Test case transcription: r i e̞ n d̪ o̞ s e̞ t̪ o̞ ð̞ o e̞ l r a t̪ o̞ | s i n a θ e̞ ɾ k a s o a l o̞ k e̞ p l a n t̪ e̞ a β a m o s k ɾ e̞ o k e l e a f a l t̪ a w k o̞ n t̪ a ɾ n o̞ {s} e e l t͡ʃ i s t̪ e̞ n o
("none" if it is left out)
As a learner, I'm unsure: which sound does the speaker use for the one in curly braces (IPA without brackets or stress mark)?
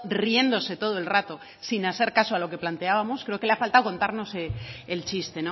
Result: s